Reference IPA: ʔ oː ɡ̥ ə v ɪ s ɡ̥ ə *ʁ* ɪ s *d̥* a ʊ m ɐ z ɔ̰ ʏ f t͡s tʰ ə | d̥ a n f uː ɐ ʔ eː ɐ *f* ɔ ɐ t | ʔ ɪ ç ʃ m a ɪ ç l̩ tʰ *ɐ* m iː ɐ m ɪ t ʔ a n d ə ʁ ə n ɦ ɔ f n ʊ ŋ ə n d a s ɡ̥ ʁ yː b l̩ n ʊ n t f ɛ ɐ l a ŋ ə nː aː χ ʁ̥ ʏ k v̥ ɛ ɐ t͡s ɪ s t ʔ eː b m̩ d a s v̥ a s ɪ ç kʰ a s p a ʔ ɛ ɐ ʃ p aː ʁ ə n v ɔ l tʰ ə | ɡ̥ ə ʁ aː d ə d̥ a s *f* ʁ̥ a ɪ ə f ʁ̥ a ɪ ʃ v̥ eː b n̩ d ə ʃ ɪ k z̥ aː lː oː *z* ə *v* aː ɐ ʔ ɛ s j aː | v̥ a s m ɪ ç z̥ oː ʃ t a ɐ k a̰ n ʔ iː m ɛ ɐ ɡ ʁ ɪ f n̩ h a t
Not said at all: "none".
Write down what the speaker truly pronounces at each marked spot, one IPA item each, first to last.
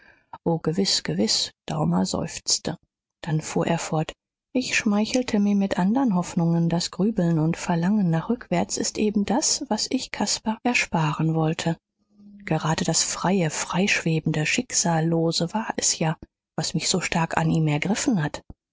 v, d̥, f, ə, f, z, v

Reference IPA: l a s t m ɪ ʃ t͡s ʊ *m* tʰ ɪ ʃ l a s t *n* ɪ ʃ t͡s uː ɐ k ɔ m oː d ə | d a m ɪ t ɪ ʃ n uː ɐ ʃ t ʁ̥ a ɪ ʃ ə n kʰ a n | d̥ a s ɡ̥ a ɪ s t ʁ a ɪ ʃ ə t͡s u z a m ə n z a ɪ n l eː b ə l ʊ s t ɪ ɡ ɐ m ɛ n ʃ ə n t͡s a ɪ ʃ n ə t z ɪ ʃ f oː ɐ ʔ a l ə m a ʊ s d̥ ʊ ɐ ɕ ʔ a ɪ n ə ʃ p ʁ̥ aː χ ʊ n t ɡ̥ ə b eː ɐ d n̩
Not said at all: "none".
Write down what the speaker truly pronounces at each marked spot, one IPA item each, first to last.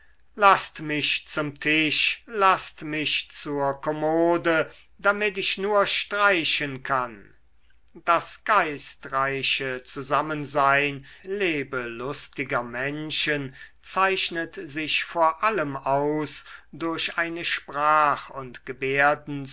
m, m

